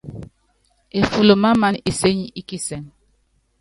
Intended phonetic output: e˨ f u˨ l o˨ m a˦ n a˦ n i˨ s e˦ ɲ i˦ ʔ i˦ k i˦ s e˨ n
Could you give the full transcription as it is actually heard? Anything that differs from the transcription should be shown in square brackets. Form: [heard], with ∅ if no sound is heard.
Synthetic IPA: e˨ f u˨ l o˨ m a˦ [m] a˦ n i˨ s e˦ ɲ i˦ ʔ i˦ k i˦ s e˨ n